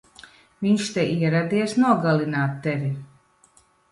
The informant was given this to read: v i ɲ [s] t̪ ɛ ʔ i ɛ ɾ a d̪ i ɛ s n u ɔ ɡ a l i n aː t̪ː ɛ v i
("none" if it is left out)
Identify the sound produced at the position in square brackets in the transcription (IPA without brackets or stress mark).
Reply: ʃ